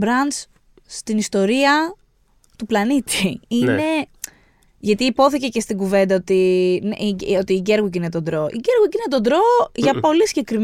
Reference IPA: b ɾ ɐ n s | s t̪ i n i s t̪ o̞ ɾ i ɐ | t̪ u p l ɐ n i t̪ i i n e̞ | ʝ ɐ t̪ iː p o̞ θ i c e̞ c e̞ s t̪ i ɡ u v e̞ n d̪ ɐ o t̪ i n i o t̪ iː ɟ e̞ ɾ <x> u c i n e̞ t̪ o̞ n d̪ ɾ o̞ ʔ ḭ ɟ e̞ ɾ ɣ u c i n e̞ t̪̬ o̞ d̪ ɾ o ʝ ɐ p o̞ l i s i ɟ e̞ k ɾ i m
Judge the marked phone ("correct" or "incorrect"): incorrect